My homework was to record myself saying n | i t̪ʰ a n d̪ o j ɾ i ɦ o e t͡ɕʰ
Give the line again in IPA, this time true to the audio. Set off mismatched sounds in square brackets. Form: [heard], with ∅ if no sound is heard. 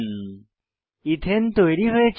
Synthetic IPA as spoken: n | i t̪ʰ [e] n [t̪] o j ɾ i ɦ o e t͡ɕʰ